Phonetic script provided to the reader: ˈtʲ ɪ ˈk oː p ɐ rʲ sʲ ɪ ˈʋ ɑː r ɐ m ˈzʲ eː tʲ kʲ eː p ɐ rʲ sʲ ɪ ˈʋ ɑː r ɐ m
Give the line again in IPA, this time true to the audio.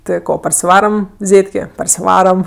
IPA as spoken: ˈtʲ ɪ ˈk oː p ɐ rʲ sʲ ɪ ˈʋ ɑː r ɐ m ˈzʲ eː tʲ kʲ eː p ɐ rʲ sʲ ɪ ˈʋ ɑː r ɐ m